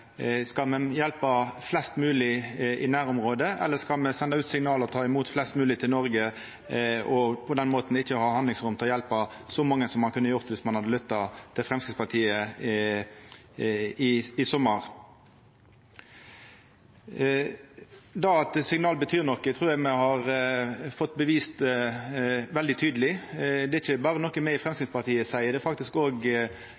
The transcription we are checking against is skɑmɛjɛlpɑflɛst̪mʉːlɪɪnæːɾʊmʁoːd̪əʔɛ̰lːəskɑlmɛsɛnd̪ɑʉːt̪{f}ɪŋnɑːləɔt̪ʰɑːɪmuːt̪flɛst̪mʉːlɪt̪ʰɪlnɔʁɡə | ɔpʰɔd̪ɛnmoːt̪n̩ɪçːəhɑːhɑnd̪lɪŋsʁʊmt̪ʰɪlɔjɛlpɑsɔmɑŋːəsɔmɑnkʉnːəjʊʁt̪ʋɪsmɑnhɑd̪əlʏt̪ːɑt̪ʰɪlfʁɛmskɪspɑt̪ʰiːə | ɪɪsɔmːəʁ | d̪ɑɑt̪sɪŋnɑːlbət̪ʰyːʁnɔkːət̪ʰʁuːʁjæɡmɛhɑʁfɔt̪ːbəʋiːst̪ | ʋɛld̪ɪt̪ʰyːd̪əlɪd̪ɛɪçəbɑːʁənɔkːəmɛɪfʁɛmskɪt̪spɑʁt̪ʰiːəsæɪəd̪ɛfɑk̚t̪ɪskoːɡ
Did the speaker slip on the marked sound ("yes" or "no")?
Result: yes